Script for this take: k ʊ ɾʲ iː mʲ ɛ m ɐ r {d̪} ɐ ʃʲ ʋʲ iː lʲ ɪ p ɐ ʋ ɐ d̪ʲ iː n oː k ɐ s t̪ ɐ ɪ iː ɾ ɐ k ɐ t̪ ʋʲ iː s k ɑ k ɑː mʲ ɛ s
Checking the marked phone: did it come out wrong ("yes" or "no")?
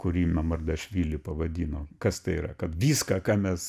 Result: no